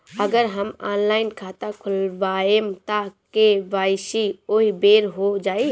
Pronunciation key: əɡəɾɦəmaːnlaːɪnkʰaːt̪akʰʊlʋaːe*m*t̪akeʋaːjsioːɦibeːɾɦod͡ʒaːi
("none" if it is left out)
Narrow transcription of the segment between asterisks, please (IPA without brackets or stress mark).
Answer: m